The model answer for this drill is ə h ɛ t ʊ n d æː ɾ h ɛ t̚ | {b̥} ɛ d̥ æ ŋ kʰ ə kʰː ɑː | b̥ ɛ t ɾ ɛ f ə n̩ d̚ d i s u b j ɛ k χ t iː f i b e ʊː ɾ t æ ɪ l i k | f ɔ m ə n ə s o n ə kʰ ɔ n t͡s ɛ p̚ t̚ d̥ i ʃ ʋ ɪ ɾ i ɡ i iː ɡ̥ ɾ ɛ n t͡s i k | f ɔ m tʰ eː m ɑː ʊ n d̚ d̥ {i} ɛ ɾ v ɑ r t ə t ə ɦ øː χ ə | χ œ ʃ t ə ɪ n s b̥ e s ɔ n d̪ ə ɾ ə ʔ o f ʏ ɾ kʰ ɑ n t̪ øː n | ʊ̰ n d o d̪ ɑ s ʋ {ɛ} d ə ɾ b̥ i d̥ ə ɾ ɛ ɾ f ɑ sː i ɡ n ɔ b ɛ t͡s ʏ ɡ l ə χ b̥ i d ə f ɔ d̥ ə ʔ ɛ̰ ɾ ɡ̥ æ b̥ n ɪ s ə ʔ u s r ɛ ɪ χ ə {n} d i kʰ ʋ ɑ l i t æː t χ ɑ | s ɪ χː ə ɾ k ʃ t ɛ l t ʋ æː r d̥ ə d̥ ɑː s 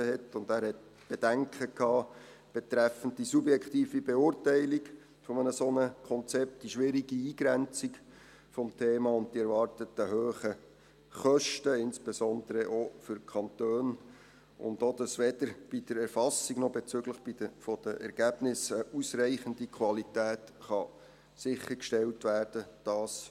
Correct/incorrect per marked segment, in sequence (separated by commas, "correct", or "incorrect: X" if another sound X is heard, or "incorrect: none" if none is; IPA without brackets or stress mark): correct, correct, correct, correct